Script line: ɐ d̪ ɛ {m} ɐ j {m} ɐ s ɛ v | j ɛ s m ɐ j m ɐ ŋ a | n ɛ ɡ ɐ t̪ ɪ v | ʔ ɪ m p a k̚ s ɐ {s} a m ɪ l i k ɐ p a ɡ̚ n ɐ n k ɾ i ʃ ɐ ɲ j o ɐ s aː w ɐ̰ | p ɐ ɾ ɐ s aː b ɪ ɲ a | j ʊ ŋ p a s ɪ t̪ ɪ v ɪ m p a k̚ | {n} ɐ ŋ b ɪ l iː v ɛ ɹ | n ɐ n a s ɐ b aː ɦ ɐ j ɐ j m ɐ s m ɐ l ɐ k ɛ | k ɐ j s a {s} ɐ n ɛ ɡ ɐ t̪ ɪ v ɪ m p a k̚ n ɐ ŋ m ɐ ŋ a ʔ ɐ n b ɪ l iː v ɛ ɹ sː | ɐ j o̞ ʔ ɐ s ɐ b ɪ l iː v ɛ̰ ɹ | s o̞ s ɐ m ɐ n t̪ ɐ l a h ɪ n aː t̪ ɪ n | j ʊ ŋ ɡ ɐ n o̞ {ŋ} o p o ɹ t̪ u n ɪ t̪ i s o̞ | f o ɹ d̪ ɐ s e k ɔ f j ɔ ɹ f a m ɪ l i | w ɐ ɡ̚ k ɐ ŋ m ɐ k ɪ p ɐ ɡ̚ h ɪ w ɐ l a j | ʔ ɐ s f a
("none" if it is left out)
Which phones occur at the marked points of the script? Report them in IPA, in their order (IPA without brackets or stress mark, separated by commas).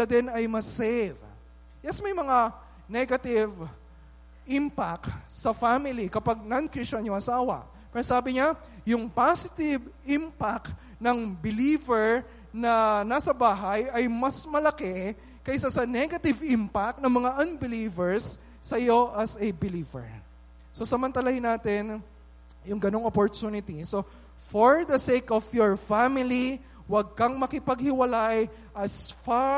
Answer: n, m, f, n, s, ŋ